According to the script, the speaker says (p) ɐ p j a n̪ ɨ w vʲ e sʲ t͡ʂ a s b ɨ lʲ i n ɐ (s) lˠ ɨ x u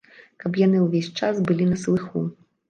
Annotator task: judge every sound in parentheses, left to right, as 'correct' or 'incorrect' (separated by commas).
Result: incorrect, correct